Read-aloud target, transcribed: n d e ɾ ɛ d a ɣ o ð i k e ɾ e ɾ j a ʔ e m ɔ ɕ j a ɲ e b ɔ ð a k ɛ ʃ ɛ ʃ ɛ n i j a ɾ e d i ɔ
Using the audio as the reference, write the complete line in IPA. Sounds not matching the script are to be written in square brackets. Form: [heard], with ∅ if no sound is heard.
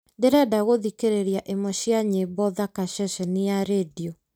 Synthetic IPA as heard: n d e ɾ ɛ d a ɣ o ð i k e ɾ e ɾ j a ʔ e m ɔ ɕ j a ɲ e b ɔ ð a k [a] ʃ ɛ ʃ ɛ n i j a ɾ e d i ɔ